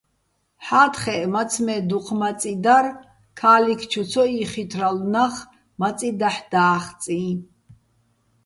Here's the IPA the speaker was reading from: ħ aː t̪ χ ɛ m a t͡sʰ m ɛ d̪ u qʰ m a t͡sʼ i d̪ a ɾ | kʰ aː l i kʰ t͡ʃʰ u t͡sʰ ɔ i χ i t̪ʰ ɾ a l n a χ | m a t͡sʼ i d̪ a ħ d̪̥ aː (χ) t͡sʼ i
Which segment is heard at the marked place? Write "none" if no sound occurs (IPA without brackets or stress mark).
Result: χ